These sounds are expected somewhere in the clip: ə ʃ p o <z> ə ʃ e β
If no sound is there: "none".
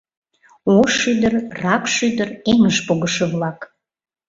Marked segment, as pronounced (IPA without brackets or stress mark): ɣ